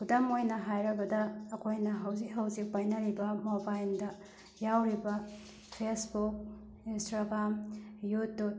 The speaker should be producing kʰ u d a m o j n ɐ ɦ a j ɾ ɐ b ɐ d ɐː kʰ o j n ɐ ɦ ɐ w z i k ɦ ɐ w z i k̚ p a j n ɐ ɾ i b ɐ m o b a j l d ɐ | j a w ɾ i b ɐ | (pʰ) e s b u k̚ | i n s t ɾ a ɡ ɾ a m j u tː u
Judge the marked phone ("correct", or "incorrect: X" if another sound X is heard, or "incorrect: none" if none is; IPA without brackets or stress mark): correct